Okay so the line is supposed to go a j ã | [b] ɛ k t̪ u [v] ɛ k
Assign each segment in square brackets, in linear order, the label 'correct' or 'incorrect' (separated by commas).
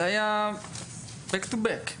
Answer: correct, incorrect